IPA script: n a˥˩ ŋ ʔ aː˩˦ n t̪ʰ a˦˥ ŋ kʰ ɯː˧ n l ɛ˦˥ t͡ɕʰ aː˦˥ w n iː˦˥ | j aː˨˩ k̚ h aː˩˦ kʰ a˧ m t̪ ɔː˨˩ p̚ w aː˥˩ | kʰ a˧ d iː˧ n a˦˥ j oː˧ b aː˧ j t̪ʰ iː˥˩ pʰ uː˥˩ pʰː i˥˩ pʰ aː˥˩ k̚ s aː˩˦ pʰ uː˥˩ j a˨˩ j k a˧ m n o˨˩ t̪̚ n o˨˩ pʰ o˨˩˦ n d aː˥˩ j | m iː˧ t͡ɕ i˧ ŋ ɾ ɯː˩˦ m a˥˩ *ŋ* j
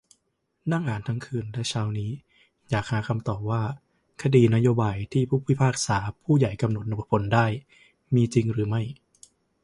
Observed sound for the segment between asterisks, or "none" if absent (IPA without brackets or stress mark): none